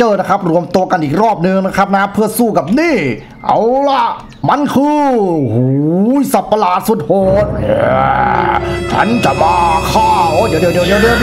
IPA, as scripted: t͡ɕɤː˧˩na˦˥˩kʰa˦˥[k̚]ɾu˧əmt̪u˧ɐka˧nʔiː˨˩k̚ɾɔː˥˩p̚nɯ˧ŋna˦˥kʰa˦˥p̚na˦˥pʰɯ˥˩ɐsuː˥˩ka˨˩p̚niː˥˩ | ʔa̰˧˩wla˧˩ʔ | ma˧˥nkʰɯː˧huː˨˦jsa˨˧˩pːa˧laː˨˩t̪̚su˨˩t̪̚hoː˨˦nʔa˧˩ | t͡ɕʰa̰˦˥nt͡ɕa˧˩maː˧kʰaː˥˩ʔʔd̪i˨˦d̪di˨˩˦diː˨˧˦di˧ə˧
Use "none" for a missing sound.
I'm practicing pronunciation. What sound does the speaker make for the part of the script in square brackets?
p̚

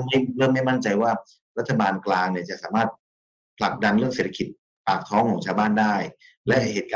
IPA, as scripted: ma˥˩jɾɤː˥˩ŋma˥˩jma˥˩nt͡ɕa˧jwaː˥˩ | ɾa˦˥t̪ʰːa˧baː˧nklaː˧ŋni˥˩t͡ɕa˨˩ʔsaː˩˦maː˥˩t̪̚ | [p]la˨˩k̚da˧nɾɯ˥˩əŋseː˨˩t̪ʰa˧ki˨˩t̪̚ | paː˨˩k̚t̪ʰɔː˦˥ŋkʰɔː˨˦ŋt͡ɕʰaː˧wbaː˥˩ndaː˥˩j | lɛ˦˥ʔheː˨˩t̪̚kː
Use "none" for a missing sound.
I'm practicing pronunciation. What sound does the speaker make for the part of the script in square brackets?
pʰ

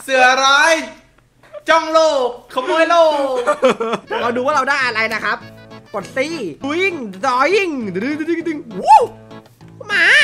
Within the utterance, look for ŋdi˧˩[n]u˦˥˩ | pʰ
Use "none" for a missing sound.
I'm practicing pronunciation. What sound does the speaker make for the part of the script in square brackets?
ŋ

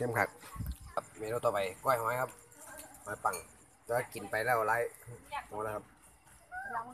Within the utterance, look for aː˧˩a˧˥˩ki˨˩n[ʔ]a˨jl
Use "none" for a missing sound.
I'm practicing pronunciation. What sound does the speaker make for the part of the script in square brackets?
p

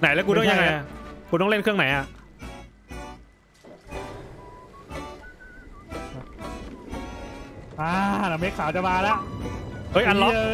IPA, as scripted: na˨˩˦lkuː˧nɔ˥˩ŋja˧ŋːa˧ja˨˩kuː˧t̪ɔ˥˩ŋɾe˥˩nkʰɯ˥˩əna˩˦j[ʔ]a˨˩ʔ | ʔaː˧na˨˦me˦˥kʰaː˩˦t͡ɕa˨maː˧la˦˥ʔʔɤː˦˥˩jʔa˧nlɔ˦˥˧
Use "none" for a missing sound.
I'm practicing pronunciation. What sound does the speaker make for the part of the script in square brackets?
ʔ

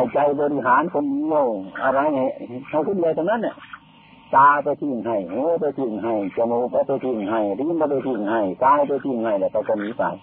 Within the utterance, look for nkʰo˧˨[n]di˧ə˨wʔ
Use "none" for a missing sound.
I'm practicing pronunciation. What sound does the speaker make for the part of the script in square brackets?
n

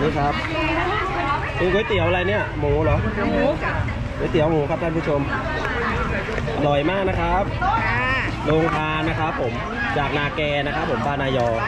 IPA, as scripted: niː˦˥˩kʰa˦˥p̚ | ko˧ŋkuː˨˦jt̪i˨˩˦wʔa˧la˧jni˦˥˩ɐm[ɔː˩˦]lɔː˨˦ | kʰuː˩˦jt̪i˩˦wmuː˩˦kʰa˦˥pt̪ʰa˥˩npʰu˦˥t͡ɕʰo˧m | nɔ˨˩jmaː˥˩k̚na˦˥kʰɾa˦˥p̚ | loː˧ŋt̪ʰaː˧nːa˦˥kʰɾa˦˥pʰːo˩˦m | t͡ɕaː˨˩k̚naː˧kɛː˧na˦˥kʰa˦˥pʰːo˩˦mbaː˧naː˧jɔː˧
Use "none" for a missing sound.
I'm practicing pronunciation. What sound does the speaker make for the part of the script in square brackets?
uː˩˦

